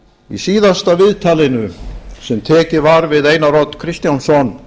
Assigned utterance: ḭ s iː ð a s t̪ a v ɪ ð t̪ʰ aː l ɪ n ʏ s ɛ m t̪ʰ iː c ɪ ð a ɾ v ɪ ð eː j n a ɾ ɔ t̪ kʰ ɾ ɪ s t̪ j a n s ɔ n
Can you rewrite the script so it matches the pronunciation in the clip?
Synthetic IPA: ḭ s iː ð a s t̪ a v ɪ ð t̪ʰ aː l ɪ n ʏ s ɛ m t̪ʰ ɛː c ɪ v a ɾ v ɪ ð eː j n a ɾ ɔ t̪ kʰ ɾ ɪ s t̪ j a n s ɔ n